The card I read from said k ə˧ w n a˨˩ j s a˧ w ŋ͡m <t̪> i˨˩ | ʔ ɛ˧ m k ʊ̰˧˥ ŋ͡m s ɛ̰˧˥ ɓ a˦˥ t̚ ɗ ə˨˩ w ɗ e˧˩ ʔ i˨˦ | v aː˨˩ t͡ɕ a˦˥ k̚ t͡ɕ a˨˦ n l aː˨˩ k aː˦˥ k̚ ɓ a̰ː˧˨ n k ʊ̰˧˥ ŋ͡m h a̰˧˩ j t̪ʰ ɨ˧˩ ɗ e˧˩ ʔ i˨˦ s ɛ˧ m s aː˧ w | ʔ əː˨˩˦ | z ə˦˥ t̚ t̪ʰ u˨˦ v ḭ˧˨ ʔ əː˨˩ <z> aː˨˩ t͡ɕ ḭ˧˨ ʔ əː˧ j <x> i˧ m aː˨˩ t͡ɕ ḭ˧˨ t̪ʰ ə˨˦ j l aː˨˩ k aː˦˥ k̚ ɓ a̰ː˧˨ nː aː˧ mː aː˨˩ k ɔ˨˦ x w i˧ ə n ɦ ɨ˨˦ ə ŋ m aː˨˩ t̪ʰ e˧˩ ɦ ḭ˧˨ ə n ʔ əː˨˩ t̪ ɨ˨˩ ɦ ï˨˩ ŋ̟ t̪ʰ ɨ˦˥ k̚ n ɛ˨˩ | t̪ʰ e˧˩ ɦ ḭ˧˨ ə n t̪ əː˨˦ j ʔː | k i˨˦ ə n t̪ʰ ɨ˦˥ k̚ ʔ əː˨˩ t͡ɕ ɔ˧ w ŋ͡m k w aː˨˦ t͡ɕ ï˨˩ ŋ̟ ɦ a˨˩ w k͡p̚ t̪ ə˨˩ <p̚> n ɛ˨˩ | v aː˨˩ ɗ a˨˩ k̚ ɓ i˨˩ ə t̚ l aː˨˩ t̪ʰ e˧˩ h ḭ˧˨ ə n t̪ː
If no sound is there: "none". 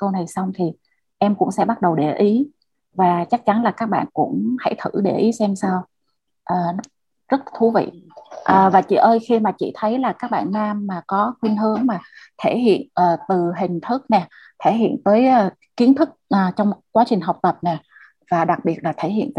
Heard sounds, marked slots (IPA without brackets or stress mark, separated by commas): t̪ʰ, v, x, p̚